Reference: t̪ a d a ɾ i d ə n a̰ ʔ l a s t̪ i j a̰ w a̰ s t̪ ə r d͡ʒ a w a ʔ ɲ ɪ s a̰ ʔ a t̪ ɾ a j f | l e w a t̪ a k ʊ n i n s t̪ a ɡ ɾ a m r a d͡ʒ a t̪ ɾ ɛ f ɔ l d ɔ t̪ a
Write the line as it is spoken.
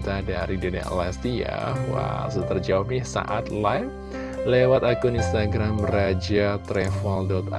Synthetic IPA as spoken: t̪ a d a ɾ i d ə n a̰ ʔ l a s t̪ i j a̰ w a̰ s t̪ ə r d͡ʒ a w a p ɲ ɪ s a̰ ʔ a t̪ l a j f | l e w a t̪ a k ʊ n i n s t̪ a ɡ ɾ a m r a d͡ʒ a t̪ ɾ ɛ f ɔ l d ɔ t̪ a